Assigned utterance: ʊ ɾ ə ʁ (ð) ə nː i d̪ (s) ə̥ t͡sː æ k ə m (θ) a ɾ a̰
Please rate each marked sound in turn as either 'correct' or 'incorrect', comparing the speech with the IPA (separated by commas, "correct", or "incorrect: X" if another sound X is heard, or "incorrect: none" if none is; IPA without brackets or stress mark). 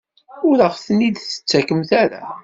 incorrect: θ, incorrect: θ, correct